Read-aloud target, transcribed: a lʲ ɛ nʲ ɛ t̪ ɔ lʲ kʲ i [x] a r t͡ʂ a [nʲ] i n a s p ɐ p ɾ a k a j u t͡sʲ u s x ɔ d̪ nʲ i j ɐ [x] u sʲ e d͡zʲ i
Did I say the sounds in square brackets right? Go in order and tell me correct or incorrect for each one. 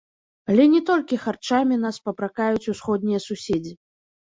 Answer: correct, incorrect: mʲ, incorrect: s

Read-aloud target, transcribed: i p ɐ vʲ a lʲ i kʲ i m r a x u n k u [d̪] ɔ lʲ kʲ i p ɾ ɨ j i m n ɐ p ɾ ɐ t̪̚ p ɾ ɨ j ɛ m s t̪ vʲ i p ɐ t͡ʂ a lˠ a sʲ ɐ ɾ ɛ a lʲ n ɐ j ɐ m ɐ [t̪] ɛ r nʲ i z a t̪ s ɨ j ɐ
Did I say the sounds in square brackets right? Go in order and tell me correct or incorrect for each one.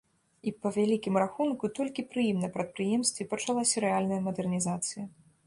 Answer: incorrect: t̪, incorrect: d̪

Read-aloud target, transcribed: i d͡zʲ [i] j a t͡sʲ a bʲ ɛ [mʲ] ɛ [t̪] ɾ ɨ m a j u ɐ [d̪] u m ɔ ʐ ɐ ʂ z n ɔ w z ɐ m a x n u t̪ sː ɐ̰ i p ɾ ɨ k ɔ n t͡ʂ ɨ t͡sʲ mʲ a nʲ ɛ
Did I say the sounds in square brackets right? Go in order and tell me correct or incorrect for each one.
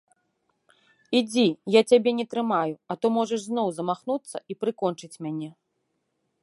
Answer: correct, incorrect: nʲ, correct, incorrect: t̪

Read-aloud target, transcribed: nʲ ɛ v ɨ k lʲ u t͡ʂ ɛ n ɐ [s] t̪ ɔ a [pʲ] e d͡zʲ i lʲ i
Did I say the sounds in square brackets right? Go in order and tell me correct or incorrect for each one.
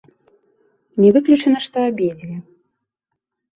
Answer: incorrect: ʂ, incorrect: bʲ

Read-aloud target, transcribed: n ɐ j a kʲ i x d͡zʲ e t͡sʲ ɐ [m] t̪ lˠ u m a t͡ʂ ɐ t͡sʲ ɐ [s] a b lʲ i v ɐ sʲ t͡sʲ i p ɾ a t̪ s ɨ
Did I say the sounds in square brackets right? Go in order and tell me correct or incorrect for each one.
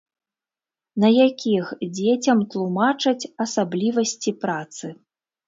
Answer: correct, correct

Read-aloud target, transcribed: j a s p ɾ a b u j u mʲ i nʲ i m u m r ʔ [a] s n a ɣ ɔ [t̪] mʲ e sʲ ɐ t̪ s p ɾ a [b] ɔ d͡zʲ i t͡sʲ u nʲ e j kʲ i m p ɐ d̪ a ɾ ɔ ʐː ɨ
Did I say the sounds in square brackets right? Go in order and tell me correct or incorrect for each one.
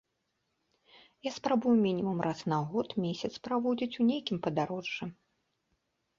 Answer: correct, correct, incorrect: v

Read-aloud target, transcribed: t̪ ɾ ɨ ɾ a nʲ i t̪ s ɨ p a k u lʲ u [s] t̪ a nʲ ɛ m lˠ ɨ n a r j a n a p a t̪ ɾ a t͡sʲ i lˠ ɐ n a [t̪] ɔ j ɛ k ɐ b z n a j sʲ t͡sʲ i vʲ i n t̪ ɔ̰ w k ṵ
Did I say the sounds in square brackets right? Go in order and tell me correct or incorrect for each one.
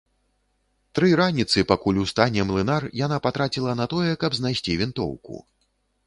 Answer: correct, correct

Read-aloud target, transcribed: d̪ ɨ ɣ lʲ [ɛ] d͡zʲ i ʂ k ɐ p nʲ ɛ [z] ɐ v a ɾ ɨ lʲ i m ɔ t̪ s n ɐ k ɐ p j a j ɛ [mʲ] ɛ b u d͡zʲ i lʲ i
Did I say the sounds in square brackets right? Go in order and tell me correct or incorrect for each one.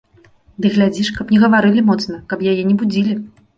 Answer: incorrect: a, incorrect: ɣ, incorrect: nʲ

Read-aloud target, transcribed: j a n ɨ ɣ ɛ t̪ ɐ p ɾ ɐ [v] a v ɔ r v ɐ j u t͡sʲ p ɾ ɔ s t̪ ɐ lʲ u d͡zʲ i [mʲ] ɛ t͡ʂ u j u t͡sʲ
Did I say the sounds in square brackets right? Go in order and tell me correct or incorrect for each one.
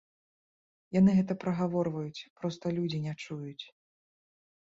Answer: incorrect: ɣ, incorrect: nʲ

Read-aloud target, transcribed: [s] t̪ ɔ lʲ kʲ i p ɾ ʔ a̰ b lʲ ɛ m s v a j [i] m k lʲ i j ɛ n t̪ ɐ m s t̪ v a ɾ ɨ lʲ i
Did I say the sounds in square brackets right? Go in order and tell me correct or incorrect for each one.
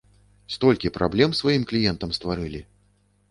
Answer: correct, correct

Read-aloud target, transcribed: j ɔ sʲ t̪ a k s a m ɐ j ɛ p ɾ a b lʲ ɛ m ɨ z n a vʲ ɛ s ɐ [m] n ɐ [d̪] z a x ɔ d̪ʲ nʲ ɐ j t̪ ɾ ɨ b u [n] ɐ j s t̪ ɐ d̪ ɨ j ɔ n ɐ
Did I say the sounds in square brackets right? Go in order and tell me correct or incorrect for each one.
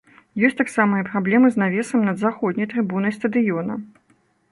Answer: correct, correct, correct

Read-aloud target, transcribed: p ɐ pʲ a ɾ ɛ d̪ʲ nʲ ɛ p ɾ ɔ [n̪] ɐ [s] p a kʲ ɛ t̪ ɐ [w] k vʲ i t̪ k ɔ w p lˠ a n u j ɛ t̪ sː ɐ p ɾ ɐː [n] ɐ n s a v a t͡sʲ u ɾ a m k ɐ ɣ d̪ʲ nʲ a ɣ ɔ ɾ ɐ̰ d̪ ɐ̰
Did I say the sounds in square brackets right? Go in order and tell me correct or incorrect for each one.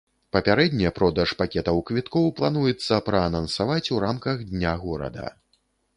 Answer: incorrect: d̪, incorrect: ʂ, correct, correct

